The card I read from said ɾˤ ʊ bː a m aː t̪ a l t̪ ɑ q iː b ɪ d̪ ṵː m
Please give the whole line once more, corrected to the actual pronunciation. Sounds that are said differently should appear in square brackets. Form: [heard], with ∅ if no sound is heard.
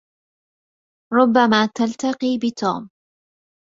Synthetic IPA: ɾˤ ʊ bː a m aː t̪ a l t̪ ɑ q iː b ɪ [t̪] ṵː m